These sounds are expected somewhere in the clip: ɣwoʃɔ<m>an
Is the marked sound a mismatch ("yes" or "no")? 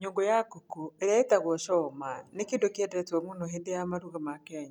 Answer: no